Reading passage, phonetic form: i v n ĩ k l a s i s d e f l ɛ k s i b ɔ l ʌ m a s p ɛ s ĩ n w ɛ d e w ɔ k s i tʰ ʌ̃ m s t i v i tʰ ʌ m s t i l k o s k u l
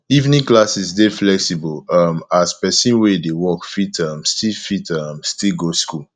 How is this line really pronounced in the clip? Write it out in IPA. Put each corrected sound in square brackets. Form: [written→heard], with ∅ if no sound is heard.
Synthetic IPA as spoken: i v n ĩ k l a s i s d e f l ɛ k s i b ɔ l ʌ m a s p ɛ s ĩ n w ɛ d e w ɔ k [s→f] i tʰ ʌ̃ m s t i [v→f] i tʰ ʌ m s t i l [k→ɡ] o s k u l